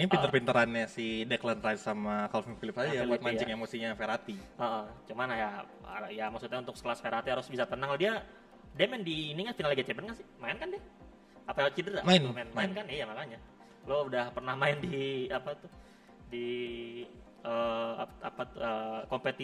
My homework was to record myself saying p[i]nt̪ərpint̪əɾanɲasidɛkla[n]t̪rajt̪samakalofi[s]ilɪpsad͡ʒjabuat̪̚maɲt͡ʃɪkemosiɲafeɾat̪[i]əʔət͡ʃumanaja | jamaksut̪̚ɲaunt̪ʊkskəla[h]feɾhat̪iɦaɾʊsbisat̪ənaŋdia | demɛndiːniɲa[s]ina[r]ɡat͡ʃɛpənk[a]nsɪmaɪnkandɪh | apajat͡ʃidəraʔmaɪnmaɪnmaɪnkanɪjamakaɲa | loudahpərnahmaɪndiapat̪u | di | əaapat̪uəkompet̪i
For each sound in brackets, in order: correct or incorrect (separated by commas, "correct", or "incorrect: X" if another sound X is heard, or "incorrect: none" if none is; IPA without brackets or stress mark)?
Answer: correct, correct, incorrect: f, correct, incorrect: s, incorrect: f, incorrect: l, correct